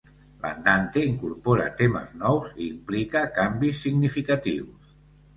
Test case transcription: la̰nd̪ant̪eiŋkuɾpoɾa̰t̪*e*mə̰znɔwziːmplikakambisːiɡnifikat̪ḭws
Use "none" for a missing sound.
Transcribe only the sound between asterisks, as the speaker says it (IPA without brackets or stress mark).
e